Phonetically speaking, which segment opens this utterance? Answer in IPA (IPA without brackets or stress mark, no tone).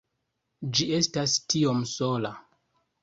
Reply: d͡ʒ